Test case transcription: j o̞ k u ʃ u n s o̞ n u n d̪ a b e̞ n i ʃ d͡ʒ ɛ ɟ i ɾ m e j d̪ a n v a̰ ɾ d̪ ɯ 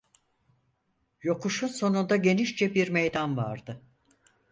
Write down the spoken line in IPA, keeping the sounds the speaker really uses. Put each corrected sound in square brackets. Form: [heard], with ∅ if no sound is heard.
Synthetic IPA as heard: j o̞ k u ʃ u n s o̞ n u n d̪ a [ɟ] e̞ n i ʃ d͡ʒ ɛ [b] i ɾ m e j d̪ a n v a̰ ɾ d̪ ɯ